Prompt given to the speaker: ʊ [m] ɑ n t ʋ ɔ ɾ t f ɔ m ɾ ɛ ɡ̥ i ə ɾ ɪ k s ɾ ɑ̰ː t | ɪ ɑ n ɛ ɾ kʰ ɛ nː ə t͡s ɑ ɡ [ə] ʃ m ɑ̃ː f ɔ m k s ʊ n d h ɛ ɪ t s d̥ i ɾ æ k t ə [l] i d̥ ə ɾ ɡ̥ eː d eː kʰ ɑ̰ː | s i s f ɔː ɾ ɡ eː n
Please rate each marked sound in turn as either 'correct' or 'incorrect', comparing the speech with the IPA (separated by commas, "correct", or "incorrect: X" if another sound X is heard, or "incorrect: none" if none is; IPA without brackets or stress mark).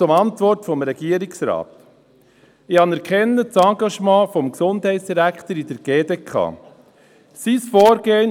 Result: correct, incorrect: ɑ, incorrect: ɾ